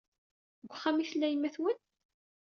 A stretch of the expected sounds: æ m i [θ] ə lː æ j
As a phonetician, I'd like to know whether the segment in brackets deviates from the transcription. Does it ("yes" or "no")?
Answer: no